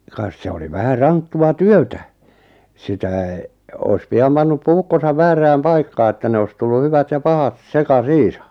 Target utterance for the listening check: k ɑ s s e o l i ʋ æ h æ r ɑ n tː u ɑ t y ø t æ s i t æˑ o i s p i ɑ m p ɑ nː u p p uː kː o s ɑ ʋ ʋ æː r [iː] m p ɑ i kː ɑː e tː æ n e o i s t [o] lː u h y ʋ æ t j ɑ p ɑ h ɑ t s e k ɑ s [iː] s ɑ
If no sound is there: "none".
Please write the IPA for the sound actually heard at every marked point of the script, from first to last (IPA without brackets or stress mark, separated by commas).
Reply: æː, u, iː